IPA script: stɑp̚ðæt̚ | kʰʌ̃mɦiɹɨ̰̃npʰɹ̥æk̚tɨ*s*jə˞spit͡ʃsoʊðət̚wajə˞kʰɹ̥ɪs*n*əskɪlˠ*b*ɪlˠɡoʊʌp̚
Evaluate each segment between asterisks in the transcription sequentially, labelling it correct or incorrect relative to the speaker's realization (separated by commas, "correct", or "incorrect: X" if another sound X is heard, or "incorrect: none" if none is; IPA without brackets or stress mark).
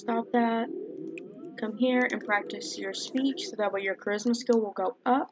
correct, incorrect: m, incorrect: w